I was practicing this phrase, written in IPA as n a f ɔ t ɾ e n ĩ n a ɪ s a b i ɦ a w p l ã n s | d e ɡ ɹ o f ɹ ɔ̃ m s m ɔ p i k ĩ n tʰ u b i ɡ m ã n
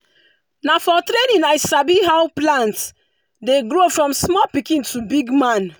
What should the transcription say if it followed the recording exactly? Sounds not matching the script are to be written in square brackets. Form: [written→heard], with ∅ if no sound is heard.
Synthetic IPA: n a f ɔ t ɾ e n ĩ n a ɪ s a b i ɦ a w p l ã n [s→t] | d e ɡ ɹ o f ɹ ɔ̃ m s m ɔ p i k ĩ n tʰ u b i ɡ m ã n